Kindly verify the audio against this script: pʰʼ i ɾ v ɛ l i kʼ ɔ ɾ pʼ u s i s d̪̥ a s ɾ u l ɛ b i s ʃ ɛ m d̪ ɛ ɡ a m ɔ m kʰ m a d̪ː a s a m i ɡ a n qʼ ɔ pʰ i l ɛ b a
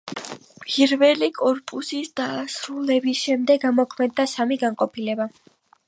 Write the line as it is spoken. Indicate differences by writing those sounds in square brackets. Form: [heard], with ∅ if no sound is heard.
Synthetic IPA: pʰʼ i ɾ v ɛ l i kʼ ɔ ɾ pʼ u s i s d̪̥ a s ɾ u l ɛ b i s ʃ ɛ m d̪ ɛ ɡ a m ɔ [∅] kʰ m [ɛ] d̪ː a s a m i ɡ a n qʼ ɔ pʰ i l ɛ b a